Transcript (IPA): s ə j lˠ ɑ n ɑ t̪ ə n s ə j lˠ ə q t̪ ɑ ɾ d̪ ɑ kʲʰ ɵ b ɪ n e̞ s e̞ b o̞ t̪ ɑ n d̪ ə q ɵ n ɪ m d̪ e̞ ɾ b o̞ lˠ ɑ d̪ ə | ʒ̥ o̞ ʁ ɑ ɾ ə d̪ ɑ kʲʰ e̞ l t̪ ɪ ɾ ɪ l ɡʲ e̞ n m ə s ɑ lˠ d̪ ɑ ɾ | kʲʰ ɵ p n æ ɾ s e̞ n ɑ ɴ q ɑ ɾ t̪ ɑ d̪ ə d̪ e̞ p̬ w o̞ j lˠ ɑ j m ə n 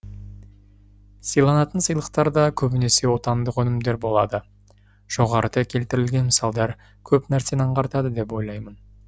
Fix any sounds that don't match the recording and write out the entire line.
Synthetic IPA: s ə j lˠ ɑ n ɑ t̪ ə n s ə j lˠ ə q t̪ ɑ ɾ d̪ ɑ kʲʰ ɵ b ɪ n e̞ s e̞ w o̞ t̪ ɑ n d̪ ə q ɵ n ɪ m d̪ e̞ ɾ b o̞ lˠ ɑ d̪ ə | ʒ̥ o̞ ʁ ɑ ɾ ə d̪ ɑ kʲʰ e̞ l t̪ ɪ ɾ ɪ l ɡʲ e̞ n m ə s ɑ lˠ d̪ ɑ ɾ | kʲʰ ɵ p n æ ɾ s e̞ n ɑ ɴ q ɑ ɾ t̪ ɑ d̪ ə d̪ e̞ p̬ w o̞ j lˠ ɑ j m ə n